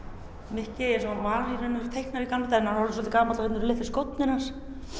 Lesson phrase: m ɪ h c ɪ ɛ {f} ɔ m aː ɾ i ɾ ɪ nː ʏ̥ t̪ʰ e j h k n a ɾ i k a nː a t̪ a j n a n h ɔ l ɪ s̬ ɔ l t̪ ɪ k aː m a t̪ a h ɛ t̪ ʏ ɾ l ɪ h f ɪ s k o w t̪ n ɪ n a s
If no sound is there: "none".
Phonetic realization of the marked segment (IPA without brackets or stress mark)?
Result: s